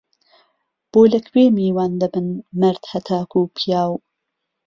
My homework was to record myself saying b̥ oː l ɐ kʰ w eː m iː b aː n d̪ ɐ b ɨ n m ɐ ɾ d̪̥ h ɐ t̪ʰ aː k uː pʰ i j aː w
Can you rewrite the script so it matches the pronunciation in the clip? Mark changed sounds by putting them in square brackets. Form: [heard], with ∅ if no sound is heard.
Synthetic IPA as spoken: b̥ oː l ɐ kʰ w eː m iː [w] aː n d̪ ɐ b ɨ n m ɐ ɾ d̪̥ h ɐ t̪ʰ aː k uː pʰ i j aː w